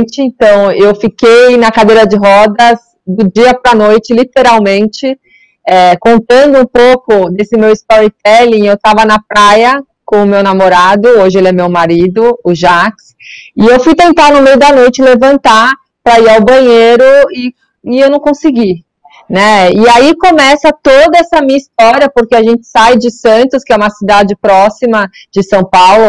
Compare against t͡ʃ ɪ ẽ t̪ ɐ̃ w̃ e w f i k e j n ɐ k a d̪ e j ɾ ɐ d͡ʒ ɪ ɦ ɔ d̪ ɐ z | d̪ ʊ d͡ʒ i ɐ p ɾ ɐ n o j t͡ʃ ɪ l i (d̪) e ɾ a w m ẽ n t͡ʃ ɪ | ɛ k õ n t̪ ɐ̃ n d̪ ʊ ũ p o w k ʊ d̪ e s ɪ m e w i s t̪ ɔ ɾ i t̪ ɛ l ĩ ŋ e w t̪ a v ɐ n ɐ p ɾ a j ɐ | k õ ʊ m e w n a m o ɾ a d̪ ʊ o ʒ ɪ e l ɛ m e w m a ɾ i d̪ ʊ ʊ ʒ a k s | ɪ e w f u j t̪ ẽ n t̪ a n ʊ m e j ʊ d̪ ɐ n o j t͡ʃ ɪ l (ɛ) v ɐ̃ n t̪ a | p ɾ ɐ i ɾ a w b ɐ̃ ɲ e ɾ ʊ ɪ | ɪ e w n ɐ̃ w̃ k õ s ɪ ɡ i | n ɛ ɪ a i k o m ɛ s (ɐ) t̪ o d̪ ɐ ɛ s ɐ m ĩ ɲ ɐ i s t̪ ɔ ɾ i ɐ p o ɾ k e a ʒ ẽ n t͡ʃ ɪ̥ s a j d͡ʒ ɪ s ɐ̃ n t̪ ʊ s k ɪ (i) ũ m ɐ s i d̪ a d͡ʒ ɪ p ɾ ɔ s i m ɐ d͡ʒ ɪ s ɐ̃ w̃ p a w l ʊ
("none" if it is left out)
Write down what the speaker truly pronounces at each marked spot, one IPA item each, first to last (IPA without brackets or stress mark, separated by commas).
t̪, e, ɐ, ɛ